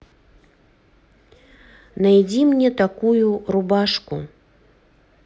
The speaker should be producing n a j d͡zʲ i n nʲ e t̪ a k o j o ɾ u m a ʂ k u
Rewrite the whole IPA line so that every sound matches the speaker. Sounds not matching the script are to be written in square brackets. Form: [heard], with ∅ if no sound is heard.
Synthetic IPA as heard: n a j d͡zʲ i [m] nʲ [ɛ] t̪ a k [u] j [u] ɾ u [b] a ʂ k u